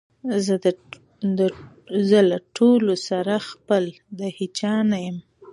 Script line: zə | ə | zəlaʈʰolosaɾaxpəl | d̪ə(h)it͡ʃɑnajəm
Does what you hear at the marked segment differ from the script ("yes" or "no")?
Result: no